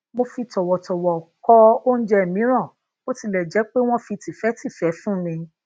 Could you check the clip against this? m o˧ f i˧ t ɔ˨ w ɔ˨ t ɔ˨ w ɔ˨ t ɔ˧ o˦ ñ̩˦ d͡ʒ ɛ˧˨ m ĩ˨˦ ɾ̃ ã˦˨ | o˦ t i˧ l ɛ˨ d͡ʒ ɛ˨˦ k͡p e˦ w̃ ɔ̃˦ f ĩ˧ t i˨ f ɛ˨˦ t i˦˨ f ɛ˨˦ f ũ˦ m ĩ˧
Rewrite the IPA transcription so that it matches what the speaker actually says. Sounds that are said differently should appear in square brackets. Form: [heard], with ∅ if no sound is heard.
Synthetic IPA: m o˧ f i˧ t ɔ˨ w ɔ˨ t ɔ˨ w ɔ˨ [k] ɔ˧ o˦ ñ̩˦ d͡ʒ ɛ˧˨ m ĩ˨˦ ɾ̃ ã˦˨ | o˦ t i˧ l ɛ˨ d͡ʒ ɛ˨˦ k͡p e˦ w̃ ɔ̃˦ f [i˧] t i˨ f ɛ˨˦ t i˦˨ f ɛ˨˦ f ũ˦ m ĩ˧